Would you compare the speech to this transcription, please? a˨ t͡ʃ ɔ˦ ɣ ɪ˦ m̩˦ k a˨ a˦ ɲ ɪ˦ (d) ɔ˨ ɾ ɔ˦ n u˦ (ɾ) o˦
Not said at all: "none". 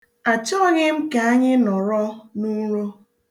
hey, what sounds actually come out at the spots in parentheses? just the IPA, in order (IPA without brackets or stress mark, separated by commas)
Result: n, ɾ